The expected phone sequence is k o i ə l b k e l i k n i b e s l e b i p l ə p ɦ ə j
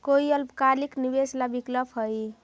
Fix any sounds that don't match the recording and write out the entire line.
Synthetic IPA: k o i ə l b k a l i k n i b e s l a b i k l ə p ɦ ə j